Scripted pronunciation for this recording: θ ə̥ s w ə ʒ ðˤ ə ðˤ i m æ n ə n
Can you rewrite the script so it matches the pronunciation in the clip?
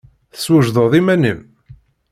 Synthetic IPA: θ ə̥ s w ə ʒ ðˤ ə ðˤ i m æ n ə m